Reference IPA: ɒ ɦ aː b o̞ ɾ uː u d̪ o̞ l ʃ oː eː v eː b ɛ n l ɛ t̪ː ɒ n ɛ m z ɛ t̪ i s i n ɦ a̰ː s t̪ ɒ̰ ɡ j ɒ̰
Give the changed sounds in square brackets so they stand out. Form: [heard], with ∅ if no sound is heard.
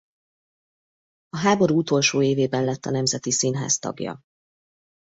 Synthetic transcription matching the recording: ɒ ɦ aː b o̞ ɾ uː u [t̪] o̞ l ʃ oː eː v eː b ɛ n l ɛ t̪ː ɒ n ɛ m z ɛ t̪ i s i n ɦ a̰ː s t̪ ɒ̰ ɡ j ɒ̰